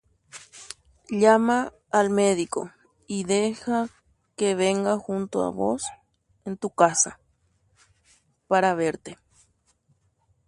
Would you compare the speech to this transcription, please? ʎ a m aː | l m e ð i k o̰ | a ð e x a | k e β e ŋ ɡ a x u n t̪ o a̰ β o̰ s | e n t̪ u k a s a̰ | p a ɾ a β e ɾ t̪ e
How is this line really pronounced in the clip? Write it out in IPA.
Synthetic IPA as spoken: ʎ a m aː | l m e ð i k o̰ | i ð e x a | k e β e ŋ ɡ a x u n t̪ o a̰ β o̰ s | e n t̪ u k a s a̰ | p a ɾ a β e ɾ t̪ e